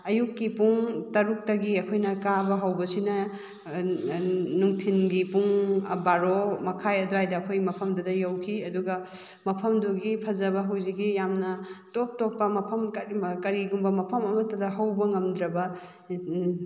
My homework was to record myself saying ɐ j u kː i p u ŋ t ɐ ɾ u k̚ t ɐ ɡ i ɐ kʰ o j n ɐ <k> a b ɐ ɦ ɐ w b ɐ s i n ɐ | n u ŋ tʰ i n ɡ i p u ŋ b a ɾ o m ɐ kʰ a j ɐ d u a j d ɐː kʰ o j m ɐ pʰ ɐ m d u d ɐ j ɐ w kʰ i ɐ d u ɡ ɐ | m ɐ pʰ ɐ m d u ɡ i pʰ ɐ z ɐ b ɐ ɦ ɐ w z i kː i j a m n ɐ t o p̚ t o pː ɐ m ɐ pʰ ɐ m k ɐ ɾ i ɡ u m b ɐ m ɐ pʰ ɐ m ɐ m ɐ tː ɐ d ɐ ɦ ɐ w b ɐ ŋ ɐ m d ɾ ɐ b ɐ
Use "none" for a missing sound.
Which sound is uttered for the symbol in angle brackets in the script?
k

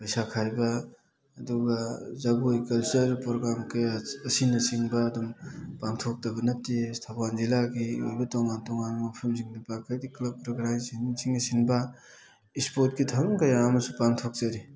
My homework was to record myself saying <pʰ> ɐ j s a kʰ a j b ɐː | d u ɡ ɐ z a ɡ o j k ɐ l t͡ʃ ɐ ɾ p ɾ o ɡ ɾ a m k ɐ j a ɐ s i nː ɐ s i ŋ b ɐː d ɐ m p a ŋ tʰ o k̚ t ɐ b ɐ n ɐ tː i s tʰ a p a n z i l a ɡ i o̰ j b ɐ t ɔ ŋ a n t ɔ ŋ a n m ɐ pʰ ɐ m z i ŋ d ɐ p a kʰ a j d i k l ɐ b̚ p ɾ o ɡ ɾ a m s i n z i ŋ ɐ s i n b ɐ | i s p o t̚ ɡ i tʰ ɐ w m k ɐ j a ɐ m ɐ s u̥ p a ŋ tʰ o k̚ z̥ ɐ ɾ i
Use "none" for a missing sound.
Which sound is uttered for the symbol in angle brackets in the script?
p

